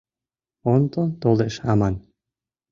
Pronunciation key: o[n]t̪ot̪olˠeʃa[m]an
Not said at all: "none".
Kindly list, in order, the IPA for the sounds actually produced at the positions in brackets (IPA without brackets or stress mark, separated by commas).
n, m